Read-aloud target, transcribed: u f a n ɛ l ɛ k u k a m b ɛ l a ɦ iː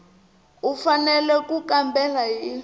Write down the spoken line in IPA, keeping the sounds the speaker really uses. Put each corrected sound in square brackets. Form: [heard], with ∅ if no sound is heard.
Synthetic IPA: u f a n ɛ l ɛ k u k a m b ɛ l a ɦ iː